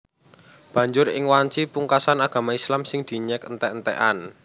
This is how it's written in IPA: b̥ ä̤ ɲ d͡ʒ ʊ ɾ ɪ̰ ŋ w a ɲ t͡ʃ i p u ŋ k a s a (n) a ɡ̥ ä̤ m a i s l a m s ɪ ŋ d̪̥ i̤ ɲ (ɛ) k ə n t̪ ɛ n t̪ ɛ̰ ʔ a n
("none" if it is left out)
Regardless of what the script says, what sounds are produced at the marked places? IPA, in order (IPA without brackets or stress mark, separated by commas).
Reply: n, ɛ